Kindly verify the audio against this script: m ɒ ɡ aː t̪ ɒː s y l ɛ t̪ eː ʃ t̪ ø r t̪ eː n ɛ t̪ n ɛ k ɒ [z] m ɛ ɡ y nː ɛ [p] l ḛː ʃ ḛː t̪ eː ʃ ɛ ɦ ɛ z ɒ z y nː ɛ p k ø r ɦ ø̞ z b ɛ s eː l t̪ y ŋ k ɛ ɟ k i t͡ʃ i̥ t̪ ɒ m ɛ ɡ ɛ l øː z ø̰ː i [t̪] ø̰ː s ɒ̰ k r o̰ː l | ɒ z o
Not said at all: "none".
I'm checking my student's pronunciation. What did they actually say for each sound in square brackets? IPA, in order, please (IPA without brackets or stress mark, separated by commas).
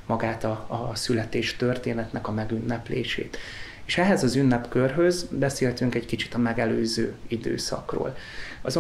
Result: none, p, d̪